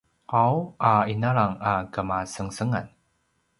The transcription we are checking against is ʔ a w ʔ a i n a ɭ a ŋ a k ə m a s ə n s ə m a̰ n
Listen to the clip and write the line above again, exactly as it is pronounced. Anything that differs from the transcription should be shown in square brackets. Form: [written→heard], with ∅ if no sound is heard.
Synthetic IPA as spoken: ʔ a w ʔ a i n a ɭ a ŋ a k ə m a s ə [n→ŋ] s ə [m→ŋ] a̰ n